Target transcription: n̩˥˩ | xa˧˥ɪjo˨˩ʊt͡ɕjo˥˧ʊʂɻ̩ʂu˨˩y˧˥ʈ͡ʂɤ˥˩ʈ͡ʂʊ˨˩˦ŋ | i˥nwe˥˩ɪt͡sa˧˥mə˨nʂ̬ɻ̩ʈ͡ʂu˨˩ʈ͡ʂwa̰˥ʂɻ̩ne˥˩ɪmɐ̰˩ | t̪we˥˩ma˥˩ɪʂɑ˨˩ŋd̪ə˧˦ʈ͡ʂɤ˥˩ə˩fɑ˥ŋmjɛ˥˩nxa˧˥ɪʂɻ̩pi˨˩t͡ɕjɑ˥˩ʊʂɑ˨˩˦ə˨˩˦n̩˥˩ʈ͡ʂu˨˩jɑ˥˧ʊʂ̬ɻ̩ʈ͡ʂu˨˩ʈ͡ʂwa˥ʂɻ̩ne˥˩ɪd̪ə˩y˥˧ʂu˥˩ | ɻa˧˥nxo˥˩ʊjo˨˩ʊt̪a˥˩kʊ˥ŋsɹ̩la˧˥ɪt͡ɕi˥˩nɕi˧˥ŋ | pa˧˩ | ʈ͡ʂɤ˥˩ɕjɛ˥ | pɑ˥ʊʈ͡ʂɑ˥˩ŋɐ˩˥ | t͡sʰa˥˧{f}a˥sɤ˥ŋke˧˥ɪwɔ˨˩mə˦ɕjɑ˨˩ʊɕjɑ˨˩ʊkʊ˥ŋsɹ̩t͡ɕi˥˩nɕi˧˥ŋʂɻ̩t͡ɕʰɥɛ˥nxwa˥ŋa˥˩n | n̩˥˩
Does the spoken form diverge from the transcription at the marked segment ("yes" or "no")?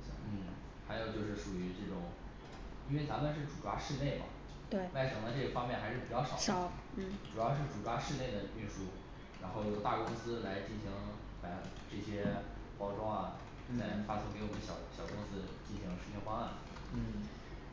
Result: no